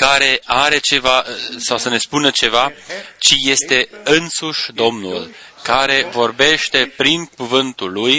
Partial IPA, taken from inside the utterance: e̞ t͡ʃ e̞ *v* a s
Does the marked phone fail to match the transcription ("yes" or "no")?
no